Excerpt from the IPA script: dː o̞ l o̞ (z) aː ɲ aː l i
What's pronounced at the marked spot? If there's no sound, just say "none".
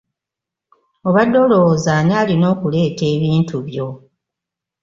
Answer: z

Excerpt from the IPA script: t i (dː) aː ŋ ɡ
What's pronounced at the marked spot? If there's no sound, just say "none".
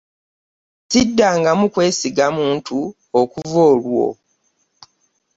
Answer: dː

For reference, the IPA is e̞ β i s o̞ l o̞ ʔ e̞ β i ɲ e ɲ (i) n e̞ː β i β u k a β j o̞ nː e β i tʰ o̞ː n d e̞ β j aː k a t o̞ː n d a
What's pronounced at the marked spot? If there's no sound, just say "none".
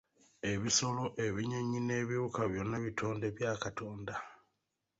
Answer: i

